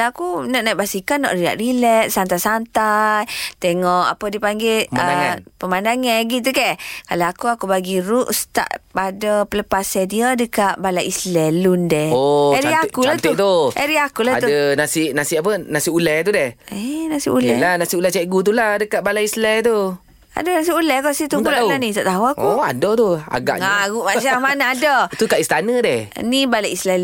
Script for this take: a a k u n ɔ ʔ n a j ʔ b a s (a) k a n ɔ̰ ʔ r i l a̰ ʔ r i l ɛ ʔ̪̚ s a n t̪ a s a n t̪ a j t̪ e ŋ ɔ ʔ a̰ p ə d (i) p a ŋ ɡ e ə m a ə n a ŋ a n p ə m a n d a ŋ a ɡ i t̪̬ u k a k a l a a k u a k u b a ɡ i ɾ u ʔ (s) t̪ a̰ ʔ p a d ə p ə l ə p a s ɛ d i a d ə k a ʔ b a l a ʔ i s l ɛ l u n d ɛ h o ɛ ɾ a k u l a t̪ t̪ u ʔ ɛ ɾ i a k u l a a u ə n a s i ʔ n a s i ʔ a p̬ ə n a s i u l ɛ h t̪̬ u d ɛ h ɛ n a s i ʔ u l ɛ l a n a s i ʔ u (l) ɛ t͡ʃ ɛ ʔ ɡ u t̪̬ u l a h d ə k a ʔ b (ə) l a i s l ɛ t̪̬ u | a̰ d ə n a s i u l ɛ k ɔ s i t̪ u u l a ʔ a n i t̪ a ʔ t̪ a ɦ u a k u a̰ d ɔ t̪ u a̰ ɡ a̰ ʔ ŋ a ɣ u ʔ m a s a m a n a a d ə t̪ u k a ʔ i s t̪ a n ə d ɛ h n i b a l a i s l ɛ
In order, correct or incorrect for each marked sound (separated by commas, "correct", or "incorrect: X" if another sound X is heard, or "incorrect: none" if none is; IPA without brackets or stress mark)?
incorrect: i, correct, correct, correct, incorrect: a